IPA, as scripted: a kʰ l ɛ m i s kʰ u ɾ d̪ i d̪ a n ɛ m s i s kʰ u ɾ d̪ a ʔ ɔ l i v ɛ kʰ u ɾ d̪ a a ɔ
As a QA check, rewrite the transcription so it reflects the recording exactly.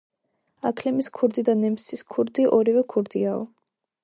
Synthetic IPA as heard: a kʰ l ɛ m i s kʰ u ɾ d̪ i d̪ a n ɛ m s i s kʰ u ɾ d̪ i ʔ ɔ ɾ i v ɛ kʰ u ɾ d̪ i a ɔ

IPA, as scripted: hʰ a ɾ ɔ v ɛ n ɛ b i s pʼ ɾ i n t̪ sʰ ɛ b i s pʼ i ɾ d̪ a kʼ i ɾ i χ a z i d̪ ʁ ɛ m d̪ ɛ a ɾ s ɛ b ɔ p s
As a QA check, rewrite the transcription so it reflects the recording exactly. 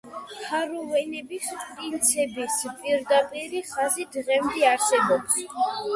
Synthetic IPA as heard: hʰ a ɾ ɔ v ɛ n ɛ b i s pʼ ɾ i n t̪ sʰ ɛ b i s pʼ i ɾ d̪ a pʼ i ɾ i χ a z i d̪ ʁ ɛ m d̪ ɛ a ɾ s ɛ b ɔ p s

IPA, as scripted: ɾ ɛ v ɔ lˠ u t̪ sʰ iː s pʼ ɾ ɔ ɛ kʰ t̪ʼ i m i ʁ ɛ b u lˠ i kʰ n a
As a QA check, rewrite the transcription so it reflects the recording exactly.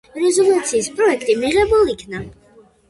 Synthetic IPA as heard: ɾ ɛ z ɔ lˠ u t̪ sʰ iː s pʼ ɾ ɔ ɛ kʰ t̪ʼ i m i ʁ ɛ b u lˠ i kʰ n a

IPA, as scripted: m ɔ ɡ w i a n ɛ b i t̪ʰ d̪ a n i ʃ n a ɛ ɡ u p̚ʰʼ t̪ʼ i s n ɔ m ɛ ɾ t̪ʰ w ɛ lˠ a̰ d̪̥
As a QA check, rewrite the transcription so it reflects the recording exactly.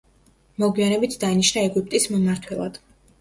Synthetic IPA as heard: m ɔ ɡ w i a n ɛ b i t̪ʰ d̪ a n i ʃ n a ɛ ɡ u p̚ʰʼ t̪ʼ i s m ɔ m a ɾ t̪ʰ w ɛ lˠ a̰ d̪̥

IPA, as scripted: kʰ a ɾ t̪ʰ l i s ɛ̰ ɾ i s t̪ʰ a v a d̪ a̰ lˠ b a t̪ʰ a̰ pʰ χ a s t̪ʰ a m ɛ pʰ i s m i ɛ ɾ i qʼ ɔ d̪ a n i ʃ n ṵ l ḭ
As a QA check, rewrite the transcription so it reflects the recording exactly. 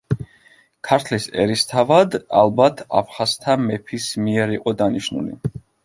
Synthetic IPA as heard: kʰ a ɾ t̪ʰ l i s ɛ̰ ɾ i s t̪ʰ a v a d̪ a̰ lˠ b a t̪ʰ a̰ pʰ χ a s t̪ʰ a m ɛ pʰ i s m i ɛ ɾ i qʼ ɔ d̪ a n i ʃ n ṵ l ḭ

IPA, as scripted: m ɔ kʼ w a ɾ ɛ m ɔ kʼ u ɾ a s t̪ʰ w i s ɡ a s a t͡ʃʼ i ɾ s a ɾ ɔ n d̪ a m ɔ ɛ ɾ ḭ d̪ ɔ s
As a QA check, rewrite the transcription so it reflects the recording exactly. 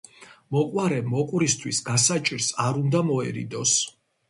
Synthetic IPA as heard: m ɔ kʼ w a ɾ ɛ m ɔ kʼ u ɾ i s t̪ʰ w i s ɡ a s a t͡ʃʼ i ɾ s a ɾ u n d̪ a m ɔ ɛ ɾ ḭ d̪ ɔ s

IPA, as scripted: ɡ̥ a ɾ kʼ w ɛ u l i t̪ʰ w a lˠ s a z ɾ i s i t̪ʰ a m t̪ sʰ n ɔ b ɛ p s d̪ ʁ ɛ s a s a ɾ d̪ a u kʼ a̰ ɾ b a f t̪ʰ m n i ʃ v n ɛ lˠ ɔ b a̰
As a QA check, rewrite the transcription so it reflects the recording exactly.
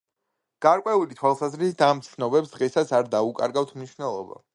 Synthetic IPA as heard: ɡ̥ a ɾ kʼ w ɛ u l i t̪ʰ w a lˠ s a z ɾ i s i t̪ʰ a m t̪ sʰ n ɔ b ɛ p s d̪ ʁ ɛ s a s a ɾ d̪ a u kʼ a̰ ɾ ɡ a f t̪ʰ m n i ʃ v n ɛ lˠ ɔ b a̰

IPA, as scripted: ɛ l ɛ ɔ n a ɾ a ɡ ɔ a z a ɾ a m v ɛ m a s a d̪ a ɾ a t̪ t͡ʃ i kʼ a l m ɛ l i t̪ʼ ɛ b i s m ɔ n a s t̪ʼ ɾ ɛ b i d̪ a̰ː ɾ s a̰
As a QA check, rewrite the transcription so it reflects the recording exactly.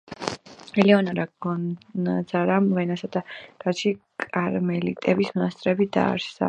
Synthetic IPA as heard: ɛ l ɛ ɔ n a ɾ a ɡ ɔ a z a ɾ a m v ɛ n a s a d̪ a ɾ a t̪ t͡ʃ i kʼ a ɾ m ɛ l i t̪ʼ ɛ b i s m ɔ n a s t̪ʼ ɾ ɛ b i d̪ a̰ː ɾ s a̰

